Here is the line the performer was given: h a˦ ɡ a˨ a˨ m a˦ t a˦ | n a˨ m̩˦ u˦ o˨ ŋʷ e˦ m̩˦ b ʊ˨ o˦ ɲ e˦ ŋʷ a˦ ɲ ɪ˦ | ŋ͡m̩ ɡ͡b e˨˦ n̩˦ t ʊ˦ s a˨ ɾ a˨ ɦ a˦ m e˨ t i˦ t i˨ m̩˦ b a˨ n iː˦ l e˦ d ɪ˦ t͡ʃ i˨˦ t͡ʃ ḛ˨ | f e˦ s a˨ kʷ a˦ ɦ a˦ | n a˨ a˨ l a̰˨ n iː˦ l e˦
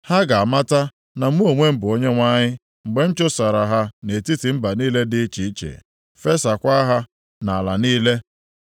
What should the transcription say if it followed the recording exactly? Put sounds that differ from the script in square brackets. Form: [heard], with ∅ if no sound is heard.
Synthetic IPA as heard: h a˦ ɡ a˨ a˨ m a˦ t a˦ | n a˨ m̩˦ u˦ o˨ ŋʷ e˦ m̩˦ b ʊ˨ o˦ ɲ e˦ ŋʷ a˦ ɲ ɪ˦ | ŋ͡m̩ ɡ͡b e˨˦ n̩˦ [t͡ʃ] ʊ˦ s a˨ ɾ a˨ ɦ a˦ [n] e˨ t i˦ t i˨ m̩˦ b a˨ n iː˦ l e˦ d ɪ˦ t͡ʃ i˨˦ t͡ʃ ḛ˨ | f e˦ s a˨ kʷ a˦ ɦ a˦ | n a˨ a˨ l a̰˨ n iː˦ l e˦